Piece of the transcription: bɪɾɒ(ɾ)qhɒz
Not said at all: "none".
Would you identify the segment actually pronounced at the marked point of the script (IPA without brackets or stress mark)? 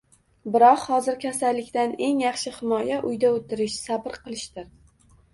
none